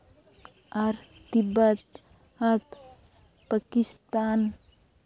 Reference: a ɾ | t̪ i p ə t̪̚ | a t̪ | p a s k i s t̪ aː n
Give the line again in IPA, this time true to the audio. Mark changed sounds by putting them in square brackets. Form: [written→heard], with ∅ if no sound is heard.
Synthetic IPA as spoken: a ɾ | t̪ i [p→b] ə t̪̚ | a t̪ | p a [s→∅] k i s t̪ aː n